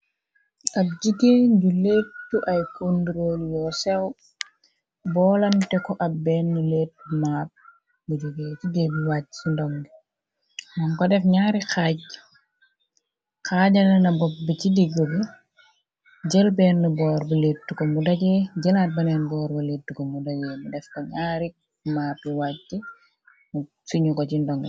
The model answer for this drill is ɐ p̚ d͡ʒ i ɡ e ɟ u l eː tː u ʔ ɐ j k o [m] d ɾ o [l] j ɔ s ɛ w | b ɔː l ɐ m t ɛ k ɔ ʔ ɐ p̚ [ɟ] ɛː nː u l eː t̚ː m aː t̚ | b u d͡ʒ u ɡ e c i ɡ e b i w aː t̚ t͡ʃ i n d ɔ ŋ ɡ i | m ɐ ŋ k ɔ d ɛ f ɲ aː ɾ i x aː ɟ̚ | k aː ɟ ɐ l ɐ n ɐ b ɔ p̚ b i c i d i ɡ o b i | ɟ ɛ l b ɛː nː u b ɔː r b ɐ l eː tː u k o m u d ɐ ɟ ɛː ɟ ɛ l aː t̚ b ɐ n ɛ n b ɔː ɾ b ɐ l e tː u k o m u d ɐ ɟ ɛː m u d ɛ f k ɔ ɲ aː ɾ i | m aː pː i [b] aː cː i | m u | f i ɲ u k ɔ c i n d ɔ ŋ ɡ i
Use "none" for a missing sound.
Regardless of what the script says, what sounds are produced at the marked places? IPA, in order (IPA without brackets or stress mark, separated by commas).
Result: n, l, b, w